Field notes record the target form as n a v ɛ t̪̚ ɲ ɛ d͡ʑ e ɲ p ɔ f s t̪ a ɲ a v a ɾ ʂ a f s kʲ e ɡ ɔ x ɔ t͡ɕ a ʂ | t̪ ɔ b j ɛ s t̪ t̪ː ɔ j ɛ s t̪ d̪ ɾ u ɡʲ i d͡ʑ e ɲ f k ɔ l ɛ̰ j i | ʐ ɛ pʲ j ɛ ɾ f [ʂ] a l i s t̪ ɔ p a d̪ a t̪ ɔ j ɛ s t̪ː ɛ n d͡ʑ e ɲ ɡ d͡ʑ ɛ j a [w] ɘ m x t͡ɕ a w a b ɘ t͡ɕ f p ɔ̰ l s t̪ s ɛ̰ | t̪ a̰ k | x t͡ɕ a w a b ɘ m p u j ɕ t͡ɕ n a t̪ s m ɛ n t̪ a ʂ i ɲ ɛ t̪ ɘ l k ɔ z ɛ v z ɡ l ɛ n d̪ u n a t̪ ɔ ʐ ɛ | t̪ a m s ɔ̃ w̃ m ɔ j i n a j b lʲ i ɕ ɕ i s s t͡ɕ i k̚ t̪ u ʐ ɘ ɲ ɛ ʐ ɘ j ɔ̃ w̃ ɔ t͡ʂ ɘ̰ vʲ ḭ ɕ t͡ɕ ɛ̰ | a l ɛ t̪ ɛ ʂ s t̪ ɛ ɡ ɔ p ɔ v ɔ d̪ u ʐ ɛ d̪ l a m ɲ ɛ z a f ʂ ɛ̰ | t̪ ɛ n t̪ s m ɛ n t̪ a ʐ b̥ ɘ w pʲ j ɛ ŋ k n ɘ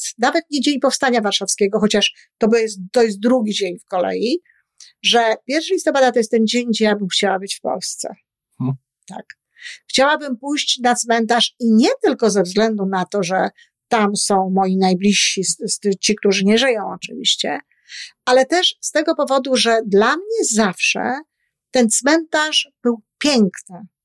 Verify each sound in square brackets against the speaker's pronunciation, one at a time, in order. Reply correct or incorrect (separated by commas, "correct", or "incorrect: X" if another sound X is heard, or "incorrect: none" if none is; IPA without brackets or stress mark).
correct, incorrect: b